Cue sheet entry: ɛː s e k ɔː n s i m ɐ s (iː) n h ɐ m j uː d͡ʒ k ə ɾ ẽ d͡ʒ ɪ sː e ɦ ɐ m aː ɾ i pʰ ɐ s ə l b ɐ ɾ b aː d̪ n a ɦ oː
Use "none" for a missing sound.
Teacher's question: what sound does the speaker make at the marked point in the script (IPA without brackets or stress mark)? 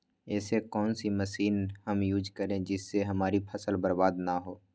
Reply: iː